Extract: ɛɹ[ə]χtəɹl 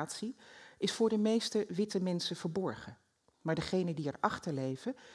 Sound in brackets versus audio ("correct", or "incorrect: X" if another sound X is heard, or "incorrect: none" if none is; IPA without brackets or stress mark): incorrect: ɑ